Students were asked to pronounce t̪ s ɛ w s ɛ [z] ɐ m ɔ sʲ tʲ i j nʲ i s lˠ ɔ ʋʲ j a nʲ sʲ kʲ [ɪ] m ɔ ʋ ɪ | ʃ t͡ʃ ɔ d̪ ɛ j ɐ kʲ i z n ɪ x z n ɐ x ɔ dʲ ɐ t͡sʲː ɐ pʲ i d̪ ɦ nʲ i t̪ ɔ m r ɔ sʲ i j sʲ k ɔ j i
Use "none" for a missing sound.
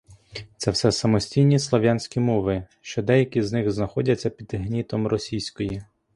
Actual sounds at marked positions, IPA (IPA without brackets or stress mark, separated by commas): s, i